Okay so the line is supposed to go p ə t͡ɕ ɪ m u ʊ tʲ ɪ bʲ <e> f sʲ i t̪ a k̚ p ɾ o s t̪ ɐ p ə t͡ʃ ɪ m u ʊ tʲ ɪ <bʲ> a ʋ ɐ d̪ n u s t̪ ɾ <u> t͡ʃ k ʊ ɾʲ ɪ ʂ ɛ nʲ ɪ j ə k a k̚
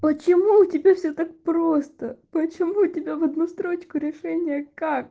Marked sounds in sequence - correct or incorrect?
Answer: incorrect: a, correct, incorrect: o

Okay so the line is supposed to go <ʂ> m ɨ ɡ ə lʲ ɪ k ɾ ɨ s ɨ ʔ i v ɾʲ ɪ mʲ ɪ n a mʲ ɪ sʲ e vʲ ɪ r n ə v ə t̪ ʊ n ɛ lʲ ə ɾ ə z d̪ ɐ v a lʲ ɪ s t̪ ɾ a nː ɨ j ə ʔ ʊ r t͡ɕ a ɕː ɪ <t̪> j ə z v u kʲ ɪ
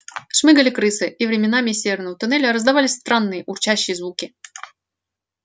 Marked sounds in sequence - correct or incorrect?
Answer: correct, incorrect: none

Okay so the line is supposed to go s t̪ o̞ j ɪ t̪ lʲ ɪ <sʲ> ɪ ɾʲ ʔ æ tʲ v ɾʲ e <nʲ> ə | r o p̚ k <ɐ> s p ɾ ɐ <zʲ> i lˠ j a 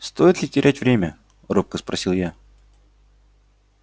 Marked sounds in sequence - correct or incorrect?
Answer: incorrect: tʲ, incorrect: mʲ, incorrect: ə, incorrect: sʲ

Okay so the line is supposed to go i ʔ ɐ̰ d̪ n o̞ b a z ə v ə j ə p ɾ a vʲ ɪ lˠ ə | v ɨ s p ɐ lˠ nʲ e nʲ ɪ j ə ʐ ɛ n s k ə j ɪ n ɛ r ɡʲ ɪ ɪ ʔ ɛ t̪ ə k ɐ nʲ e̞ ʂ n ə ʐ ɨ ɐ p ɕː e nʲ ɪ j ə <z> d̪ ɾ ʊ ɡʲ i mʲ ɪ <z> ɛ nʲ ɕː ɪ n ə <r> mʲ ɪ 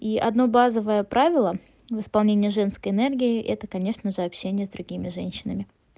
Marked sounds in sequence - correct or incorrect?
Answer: correct, incorrect: ʐ, incorrect: none

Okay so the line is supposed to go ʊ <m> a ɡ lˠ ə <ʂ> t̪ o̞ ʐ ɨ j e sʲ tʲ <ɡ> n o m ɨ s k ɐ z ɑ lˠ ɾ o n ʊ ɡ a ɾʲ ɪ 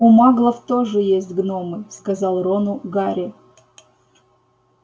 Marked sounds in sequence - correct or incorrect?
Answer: correct, incorrect: f, correct

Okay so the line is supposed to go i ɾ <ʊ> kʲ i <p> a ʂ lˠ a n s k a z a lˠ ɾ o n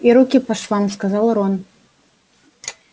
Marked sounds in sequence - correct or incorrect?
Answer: incorrect: u, correct

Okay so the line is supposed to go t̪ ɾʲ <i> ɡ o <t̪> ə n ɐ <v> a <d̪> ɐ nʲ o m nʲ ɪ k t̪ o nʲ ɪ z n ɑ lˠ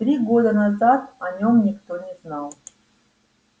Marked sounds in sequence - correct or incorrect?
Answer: correct, incorrect: d̪, incorrect: z, incorrect: t̪

